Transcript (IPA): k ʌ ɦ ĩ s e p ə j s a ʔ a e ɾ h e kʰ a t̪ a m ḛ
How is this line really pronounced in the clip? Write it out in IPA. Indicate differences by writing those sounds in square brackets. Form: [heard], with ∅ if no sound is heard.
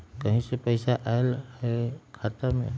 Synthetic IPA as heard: k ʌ ɦ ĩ s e p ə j s a ʔ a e [l] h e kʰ a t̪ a m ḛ